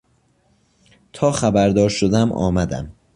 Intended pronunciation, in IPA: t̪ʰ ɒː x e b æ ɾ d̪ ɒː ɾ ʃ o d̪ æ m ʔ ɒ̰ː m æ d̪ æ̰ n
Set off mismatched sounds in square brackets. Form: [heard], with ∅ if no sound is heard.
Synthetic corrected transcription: t̪ʰ ɒː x [æ] b æ ɾ d̪ ɒː ɾ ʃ o d̪ æ m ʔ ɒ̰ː m æ d̪ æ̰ [m]